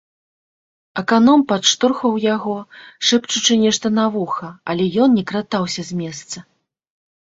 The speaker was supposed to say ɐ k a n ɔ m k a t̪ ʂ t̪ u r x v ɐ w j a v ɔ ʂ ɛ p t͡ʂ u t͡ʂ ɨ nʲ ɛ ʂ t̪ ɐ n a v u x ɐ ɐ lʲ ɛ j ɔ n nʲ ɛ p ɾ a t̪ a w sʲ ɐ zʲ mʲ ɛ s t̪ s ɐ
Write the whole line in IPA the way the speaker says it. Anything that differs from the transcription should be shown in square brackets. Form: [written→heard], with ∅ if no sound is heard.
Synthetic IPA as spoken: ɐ k a n ɔ m [k→p] a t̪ ʂ t̪ u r x v ɐ w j a [v→ɣ] ɔ ʂ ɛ p t͡ʂ u t͡ʂ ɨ nʲ ɛ ʂ t̪ ɐ n a v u x ɐ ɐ lʲ ɛ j ɔ n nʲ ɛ [p→k] ɾ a t̪ a w sʲ ɐ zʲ mʲ ɛ s t̪ s ɐ